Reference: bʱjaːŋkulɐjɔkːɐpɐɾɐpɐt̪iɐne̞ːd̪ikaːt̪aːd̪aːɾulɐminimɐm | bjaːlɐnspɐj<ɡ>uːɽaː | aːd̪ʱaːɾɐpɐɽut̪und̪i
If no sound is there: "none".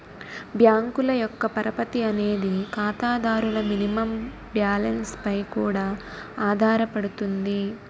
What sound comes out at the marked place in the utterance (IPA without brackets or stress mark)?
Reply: k